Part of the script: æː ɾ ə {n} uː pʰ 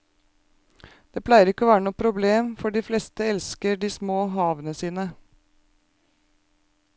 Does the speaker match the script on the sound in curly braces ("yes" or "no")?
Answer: yes